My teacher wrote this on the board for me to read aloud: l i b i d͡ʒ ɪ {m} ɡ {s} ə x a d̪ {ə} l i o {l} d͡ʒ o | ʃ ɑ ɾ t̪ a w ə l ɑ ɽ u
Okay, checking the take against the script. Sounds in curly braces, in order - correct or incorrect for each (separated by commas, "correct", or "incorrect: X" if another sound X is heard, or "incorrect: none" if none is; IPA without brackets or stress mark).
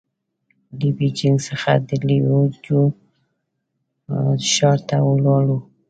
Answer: incorrect: ŋ, correct, correct, incorrect: none